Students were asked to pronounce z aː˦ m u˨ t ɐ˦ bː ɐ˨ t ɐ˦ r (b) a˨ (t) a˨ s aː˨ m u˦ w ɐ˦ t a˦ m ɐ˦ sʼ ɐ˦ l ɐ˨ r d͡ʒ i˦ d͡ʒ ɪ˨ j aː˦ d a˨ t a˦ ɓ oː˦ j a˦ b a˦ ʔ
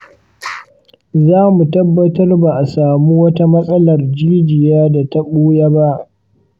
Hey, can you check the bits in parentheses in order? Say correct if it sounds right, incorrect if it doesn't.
correct, incorrect: ʔ

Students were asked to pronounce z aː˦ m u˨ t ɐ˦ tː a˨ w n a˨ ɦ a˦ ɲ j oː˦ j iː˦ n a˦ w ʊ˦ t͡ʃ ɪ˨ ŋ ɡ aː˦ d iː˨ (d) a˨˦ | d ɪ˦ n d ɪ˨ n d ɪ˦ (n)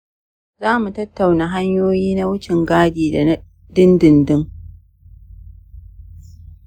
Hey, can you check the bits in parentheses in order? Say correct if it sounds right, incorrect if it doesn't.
correct, incorrect: ŋ

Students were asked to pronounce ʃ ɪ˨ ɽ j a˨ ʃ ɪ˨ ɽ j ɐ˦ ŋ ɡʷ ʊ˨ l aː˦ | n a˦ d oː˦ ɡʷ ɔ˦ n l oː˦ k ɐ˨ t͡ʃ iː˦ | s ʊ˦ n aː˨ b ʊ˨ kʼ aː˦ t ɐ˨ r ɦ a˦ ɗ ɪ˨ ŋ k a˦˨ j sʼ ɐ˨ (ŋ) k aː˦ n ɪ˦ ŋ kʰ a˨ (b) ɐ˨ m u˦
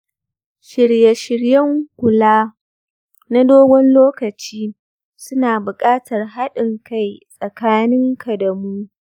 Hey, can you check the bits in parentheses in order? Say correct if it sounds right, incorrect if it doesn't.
incorrect: none, incorrect: d

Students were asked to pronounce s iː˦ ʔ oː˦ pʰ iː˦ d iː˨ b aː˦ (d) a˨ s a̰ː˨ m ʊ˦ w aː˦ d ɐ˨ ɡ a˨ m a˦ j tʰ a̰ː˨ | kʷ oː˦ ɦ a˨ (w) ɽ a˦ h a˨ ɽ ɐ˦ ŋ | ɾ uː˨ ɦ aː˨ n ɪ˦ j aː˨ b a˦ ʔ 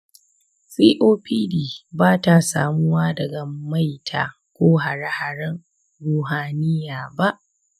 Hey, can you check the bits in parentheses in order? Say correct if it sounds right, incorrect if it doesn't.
incorrect: t, incorrect: none

